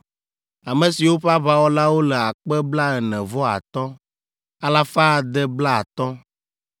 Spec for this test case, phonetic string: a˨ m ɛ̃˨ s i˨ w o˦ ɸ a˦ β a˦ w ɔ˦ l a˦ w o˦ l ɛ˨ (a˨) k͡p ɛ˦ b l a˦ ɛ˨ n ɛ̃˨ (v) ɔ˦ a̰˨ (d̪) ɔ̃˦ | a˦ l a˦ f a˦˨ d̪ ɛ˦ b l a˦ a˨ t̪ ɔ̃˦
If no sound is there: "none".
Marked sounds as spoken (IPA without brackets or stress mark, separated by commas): a˨, v, t̪